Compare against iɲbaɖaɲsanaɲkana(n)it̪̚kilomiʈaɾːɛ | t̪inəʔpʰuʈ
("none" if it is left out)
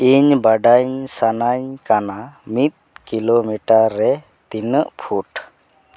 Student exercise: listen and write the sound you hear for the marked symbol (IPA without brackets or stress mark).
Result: m